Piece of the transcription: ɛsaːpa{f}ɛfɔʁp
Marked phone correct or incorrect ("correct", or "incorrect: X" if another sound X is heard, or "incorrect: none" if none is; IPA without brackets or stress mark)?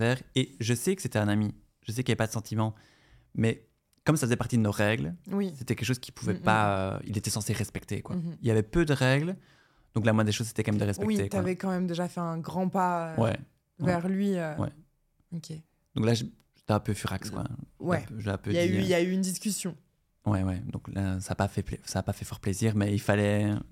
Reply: correct